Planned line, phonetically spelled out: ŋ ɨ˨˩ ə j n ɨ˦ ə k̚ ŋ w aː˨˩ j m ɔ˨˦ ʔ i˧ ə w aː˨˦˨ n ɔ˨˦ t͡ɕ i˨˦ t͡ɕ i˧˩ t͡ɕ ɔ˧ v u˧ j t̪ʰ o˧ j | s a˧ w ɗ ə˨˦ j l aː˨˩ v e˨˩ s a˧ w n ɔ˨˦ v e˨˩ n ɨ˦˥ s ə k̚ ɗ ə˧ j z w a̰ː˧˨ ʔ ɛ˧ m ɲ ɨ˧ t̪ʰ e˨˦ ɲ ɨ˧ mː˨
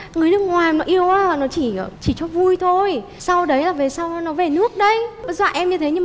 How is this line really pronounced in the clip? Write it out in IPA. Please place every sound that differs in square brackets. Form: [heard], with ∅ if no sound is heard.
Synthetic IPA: ŋ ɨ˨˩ ə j n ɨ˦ ə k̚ ŋ w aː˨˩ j [n] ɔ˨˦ ʔ i˧ ə w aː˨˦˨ n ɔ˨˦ t͡ɕ [i˧˩˨] t͡ɕ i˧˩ t͡ɕ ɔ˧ v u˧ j t̪ʰ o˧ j | s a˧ w ɗ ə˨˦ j l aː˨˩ v e˨˩ s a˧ w n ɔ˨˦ v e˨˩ n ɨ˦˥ [∅] ə k̚ ɗ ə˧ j z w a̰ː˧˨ ʔ ɛ˧ m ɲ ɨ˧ t̪ʰ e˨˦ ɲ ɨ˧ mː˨